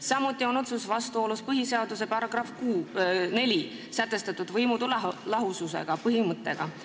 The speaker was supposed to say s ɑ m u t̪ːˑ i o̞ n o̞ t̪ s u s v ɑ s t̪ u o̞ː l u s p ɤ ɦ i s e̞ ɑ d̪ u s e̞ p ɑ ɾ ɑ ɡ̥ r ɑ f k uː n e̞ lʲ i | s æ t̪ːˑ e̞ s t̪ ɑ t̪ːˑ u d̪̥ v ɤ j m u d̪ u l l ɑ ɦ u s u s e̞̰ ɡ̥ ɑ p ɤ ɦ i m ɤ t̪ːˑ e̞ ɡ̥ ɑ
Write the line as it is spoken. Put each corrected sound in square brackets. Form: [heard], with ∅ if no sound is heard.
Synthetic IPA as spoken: s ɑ m u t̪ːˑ i o̞ n o̞ t̪ s u s v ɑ s t̪ u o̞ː l u s p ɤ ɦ i s e̞ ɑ d̪ u s e̞ p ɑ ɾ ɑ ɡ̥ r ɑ f k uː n e̞ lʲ i | s æ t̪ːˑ e̞ s t̪ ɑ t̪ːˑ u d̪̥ v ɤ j m u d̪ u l l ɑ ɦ u s u s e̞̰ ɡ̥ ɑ p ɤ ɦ i m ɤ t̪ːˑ e̞ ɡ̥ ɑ